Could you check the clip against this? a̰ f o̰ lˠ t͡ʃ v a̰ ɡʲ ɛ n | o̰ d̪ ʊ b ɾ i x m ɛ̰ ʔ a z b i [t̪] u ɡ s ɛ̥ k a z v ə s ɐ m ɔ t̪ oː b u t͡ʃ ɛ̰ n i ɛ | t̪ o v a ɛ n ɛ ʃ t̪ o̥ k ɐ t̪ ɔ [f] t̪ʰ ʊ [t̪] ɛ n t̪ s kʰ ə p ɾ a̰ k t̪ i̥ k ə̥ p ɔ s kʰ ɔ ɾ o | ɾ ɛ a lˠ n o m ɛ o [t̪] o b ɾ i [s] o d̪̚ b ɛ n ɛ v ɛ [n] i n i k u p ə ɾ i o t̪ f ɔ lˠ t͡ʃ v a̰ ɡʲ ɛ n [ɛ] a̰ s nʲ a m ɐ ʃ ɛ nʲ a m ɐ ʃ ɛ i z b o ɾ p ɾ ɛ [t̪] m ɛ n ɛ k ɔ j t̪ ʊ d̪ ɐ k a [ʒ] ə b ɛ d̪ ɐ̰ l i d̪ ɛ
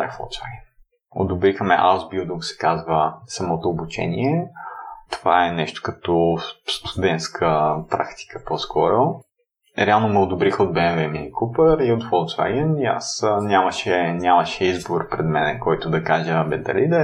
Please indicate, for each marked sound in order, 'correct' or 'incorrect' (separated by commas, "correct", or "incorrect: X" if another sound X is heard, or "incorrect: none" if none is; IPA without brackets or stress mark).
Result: incorrect: d̪, incorrect: s, incorrect: d̪, incorrect: d̪, incorrect: x, incorrect: m, incorrect: i, incorrect: d̪, correct